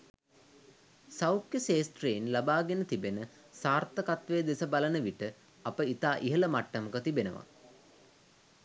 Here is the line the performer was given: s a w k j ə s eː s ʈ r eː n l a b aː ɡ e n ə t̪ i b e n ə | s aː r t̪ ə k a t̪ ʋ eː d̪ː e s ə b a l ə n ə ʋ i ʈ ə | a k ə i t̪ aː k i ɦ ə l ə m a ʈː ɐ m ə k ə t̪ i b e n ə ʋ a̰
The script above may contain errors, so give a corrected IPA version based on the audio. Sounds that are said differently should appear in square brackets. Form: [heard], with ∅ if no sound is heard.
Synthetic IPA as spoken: s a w k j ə s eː s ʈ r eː n l a b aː ɡ e n ə t̪ i b e n ə | s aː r t̪ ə k a t̪ ʋ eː [d̪] e s ə b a l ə n ə ʋ i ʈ ə | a [p] ə i t̪ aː [ʔ] i ɦ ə l ə m a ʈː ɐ m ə k ə t̪ i b e n ə ʋ a̰

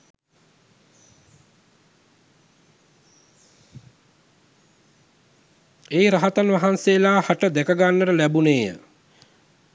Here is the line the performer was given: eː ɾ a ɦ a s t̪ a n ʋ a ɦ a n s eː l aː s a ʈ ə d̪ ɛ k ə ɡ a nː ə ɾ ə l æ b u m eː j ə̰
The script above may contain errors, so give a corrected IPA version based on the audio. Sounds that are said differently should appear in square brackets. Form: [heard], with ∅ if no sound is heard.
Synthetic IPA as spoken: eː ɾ a ɦ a [∅] t̪ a n ʋ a ɦ a n s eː l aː [h] a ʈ ə d̪ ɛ k ə ɡ a nː ə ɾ ə l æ b u [n] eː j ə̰

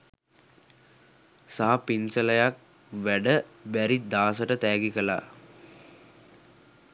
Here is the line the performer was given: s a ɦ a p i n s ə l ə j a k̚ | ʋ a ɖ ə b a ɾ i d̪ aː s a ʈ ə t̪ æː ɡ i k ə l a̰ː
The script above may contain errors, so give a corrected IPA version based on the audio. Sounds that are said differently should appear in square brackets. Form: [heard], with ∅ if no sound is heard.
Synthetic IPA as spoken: s a ɦ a p i n s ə l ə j a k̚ | ʋ [æ] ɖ ə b [æ] ɾ i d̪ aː s [ə] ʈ ə t̪ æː ɡ i k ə l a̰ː

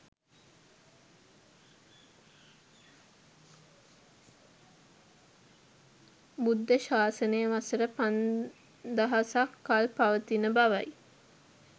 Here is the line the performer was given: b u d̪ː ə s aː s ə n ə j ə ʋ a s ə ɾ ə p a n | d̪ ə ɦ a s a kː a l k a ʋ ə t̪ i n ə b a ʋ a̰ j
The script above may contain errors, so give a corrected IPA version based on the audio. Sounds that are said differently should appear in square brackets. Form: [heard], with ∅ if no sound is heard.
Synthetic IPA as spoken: b u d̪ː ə [ʃ] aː s ə n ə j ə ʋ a s ə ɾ ə p a n | d̪ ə ɦ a s a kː a l [p] a ʋ ə t̪ i n ə b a ʋ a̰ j

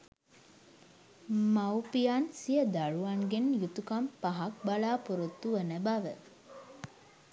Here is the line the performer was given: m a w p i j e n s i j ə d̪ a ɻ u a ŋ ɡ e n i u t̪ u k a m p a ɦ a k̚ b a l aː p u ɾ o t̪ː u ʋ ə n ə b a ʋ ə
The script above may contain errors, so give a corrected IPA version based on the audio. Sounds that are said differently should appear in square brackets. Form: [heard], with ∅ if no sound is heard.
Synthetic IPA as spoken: m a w p i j [a] n s i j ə d̪ a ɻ u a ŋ ɡ e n [j] u t̪ u k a m p a ɦ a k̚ b a l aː p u ɾ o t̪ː u ʋ ə n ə b a ʋ ə

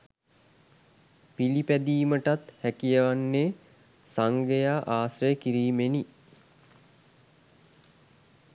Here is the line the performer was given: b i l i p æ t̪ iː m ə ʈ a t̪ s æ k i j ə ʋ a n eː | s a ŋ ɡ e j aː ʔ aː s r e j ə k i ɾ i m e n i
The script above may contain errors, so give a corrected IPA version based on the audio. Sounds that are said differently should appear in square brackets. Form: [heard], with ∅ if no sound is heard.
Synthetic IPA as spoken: [p] i l i p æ [d̪] iː m ə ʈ a t̪ [h] æ k i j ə ʋ a [nː] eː | s a ŋ ɡ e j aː ʔ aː s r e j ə k i ɾ [iː] m e n i

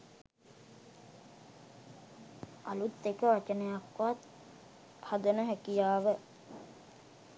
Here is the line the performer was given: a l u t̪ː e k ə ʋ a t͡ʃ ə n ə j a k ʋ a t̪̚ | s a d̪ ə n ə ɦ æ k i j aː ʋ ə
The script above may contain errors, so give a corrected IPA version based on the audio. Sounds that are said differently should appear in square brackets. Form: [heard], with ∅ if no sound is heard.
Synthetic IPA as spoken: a l u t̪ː e k ə ʋ a t͡ʃ ə n ə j a k ʋ a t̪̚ | [h] a d̪ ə n ə ɦ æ k i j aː ʋ ə

